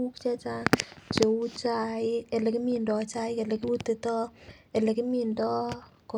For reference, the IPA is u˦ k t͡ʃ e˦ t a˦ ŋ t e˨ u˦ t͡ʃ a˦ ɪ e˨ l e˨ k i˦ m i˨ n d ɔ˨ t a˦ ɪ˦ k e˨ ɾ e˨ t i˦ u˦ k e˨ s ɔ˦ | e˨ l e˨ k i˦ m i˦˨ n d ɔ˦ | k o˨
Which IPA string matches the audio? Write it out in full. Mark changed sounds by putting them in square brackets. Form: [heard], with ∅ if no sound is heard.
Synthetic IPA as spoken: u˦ k t͡ʃ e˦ [t͡ʃ] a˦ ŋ [t͡ʃ] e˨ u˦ t͡ʃ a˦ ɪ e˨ l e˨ k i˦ m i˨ n d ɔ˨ [t͡ʃ] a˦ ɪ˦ k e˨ [l] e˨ [k] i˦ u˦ [t] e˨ [t] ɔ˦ | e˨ l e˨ k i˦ m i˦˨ n d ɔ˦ | k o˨